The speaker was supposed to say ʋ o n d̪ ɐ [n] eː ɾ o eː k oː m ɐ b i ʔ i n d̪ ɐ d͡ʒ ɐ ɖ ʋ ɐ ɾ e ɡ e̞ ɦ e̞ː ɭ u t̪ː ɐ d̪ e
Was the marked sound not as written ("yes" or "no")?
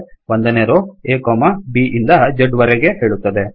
no